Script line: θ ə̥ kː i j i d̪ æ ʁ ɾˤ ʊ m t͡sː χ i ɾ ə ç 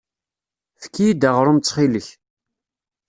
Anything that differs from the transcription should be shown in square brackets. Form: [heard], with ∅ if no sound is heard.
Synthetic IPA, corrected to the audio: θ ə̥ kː i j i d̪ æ ʁ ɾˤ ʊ m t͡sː χ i [l] ə ç